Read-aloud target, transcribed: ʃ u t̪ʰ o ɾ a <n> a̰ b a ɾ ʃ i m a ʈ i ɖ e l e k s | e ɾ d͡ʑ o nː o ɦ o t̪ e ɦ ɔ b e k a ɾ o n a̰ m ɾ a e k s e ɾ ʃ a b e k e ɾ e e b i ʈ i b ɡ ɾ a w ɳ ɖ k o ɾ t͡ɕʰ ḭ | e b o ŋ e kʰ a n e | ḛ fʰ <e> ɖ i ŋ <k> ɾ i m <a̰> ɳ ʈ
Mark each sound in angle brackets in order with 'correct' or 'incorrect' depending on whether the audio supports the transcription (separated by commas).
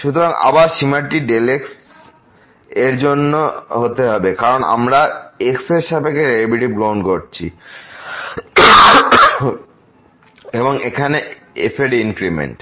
incorrect, correct, correct, incorrect